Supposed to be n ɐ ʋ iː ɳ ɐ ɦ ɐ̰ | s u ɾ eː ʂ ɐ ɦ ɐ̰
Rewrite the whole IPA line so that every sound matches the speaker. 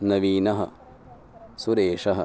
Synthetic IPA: n ɐ ʋ iː n ɐ ɦ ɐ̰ | s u ɾ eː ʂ ɐ ɦ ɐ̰